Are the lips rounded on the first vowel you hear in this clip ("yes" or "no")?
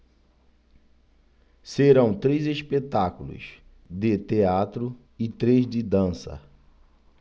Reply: no